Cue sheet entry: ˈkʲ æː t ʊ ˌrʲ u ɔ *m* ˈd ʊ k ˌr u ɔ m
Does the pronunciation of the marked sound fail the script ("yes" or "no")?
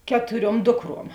no